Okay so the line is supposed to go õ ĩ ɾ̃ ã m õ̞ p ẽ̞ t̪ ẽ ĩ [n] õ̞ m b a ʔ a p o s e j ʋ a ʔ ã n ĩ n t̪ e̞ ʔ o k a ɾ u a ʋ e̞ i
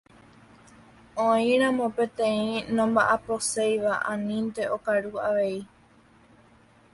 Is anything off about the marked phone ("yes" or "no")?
no